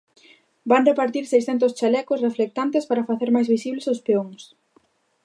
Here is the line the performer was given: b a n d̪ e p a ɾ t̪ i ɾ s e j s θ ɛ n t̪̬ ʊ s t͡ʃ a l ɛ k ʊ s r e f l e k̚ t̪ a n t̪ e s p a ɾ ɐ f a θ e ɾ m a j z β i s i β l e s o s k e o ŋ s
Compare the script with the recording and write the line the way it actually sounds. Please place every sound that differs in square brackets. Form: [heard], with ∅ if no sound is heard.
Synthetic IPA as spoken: b a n d̪ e p a ɾ t̪ i ɾ s e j s θ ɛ n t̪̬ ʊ s t͡ʃ a l ɛ k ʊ s r e f l e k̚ t̪ a n t̪ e s p a ɾ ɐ f a θ e ɾ m a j z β i s i β l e s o s [p] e o ŋ s